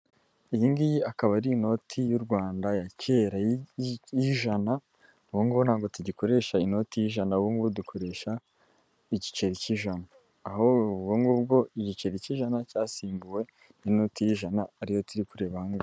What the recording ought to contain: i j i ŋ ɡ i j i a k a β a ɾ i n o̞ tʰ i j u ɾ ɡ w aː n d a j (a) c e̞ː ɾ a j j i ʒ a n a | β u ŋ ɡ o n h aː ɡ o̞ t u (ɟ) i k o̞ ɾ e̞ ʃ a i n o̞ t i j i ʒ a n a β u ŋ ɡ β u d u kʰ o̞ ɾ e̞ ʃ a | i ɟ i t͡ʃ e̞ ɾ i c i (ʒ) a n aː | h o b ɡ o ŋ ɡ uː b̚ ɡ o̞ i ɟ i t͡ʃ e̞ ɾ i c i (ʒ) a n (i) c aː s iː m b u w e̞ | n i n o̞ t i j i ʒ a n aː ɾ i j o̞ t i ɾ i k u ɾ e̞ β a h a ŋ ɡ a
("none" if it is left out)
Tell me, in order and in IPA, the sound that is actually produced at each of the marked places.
a, ɟ, ʒ, ʒ, a

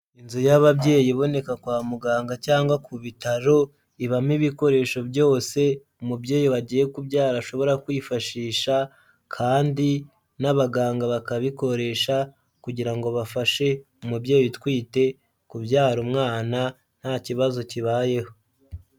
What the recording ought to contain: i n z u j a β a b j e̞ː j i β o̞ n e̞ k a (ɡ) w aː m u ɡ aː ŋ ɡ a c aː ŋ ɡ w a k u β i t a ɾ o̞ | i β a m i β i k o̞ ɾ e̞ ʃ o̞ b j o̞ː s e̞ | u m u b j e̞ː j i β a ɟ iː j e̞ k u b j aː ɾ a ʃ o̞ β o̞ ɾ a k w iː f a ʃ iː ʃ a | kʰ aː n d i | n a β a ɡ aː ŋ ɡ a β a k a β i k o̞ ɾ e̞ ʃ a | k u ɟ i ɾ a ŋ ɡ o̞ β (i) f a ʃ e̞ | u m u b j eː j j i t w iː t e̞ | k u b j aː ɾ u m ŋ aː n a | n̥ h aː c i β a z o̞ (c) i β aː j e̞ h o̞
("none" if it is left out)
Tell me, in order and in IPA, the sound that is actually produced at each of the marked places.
k, a, c

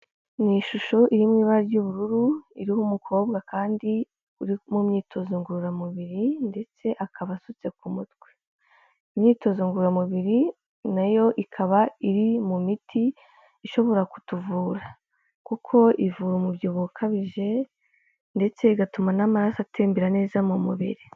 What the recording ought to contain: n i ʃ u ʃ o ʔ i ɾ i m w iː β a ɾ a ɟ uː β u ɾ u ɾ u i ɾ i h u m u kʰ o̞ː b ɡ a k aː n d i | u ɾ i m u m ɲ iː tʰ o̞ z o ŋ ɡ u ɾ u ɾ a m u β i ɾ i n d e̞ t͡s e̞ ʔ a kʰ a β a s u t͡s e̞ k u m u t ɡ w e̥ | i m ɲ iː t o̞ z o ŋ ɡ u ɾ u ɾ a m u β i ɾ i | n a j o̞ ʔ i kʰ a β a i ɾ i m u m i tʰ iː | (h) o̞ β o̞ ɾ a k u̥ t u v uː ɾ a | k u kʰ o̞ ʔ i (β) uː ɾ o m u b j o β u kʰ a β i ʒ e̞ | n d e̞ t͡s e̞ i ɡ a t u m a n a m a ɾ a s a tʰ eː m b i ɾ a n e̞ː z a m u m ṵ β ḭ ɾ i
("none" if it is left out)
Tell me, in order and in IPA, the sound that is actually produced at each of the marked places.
ʃ, v

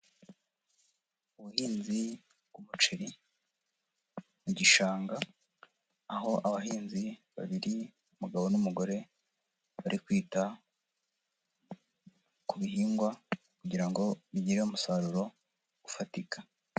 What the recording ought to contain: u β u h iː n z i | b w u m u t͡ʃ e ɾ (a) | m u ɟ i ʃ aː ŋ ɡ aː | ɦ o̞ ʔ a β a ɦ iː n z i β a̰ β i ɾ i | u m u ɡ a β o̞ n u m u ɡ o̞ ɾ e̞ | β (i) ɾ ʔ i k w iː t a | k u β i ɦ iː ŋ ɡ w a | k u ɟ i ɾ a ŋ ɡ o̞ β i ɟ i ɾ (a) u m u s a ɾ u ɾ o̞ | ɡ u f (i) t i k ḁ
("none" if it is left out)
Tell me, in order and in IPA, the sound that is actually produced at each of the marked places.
i, a, e, a

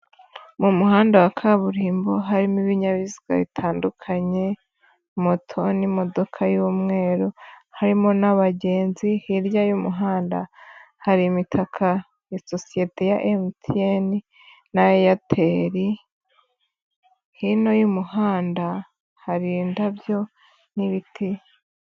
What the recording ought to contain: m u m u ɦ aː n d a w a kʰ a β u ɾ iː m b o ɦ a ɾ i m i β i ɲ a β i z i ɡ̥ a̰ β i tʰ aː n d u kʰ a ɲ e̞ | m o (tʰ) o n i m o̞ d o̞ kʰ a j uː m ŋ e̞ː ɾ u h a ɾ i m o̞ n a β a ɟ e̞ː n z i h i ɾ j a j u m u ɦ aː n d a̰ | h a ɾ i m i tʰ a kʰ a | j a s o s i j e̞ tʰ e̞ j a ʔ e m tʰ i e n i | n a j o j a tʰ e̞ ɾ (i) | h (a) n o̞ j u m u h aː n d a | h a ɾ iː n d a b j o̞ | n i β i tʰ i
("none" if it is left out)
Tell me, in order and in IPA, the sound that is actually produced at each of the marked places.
tʰ, i, i

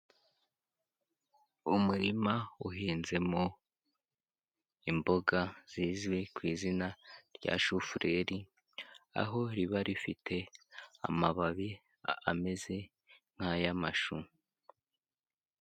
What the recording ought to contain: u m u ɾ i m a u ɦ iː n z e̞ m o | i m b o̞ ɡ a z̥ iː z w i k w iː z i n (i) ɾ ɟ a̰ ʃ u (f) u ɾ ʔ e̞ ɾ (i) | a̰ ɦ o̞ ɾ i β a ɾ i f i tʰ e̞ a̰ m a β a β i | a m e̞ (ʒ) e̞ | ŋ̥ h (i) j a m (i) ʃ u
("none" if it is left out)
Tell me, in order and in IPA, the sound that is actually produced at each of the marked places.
a, f, i, z, a, a

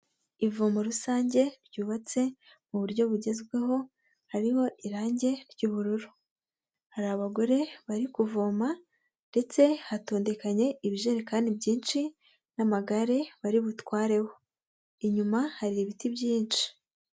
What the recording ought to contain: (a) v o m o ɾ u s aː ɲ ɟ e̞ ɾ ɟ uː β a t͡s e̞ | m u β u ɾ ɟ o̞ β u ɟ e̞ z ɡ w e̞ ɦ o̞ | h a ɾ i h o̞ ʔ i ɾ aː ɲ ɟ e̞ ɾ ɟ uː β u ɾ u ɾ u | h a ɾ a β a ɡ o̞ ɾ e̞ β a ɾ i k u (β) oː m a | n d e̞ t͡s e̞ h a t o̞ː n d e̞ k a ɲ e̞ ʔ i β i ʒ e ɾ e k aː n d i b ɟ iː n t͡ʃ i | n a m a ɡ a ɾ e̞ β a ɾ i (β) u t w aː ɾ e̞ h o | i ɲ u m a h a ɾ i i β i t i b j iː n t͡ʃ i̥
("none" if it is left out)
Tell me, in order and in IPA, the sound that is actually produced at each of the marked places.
i, v, β

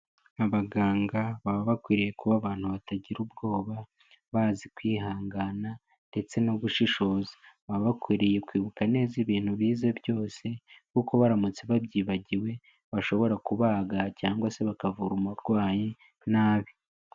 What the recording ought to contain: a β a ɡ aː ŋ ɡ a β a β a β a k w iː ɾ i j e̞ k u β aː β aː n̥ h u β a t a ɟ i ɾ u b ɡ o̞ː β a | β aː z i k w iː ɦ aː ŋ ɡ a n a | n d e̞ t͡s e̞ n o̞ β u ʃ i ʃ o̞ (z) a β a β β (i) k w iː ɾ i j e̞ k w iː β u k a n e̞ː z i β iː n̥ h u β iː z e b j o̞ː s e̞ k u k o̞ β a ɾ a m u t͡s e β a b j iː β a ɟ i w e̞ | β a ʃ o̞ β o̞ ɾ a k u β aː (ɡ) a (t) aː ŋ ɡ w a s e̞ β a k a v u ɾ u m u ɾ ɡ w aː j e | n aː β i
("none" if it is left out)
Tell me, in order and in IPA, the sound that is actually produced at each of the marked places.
z, a, ɡ, c

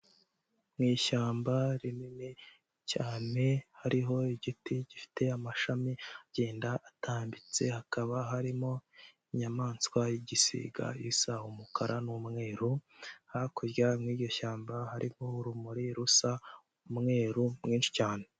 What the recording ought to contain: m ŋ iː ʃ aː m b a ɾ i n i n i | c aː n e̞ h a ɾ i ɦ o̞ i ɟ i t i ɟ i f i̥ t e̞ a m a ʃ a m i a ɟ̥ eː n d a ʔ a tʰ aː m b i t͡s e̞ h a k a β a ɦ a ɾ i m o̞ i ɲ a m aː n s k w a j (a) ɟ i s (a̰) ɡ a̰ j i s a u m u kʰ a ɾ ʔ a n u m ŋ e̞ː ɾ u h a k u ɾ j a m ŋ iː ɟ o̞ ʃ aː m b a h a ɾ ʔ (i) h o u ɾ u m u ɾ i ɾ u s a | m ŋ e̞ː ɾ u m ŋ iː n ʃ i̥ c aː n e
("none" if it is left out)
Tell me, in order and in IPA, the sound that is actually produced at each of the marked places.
i, ḭ, i

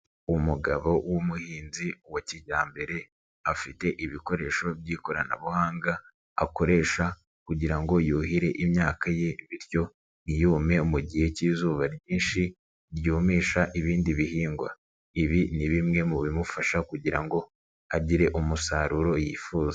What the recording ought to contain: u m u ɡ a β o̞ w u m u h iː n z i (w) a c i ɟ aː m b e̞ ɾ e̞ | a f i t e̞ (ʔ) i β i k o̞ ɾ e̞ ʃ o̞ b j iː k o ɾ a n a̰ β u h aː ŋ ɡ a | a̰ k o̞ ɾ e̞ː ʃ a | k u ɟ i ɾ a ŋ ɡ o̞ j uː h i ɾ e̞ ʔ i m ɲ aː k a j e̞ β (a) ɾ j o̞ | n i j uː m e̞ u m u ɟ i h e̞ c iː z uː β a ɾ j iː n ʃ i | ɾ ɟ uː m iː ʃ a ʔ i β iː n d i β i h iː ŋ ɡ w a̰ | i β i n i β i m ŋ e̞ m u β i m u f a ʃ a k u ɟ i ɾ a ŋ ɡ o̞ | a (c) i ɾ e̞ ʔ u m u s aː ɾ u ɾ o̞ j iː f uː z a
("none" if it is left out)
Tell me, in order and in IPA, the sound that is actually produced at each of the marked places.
w, ʔ, i, ɟ

